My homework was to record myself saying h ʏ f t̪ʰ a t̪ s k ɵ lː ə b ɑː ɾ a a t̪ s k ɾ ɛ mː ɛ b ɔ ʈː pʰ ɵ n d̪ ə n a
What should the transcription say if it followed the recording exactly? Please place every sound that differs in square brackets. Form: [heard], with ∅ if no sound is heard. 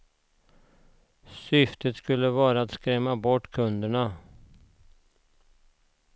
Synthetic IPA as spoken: [s] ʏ f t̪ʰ [ə] t̪ s k ɵ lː ə [v] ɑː ɾ a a t̪ s k ɾ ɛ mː [a] b ɔ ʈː [kʰ] ɵ n d̪ ə [ɳ] a